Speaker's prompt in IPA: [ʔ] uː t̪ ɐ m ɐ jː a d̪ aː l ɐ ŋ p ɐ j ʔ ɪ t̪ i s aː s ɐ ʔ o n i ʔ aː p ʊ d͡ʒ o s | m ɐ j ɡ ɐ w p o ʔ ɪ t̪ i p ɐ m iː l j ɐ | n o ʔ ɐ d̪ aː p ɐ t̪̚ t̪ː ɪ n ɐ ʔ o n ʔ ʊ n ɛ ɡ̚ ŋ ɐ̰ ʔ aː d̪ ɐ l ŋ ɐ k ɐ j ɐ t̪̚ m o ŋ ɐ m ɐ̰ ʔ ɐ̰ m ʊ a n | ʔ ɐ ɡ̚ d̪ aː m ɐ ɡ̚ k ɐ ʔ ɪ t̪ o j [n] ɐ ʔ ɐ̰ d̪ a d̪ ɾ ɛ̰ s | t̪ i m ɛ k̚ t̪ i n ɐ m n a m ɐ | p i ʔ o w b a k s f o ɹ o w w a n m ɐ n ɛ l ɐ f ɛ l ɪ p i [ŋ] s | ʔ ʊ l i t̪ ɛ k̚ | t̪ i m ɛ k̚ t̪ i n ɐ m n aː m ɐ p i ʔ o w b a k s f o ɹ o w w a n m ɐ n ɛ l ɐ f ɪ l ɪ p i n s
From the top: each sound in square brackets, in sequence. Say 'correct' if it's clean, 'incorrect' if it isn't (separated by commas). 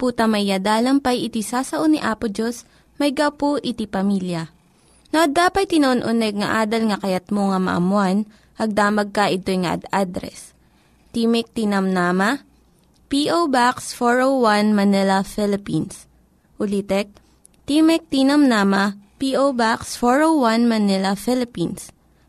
incorrect, incorrect, incorrect